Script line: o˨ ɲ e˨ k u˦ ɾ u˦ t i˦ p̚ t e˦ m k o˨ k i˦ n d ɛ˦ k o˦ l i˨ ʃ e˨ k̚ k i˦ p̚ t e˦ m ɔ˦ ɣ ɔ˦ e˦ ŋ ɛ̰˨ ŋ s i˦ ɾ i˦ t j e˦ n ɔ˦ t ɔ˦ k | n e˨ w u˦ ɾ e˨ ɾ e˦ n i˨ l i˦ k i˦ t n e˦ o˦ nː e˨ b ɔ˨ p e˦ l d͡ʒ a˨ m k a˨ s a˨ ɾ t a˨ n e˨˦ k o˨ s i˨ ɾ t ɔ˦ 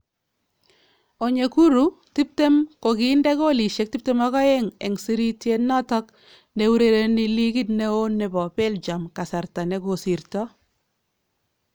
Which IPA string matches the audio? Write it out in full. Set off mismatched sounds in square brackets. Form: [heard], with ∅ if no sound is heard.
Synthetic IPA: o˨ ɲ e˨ k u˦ ɾ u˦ t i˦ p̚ t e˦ m k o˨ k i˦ n d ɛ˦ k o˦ l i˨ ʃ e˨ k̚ [t] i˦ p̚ t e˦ m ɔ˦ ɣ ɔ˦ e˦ ŋ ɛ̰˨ ŋ s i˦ ɾ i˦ t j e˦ n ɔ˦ t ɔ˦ k | n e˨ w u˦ ɾ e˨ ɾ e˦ n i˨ l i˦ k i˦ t n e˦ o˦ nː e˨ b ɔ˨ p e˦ l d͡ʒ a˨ m k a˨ s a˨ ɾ t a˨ n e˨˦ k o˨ s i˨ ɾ t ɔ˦